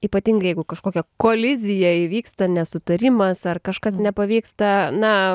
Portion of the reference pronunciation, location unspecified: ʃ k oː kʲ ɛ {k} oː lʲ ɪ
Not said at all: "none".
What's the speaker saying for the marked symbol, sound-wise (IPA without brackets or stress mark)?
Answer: k